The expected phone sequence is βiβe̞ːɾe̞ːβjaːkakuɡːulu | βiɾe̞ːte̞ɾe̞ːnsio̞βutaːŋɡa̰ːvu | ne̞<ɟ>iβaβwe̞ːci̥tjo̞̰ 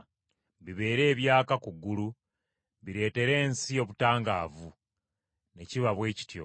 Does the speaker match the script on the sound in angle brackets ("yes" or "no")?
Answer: no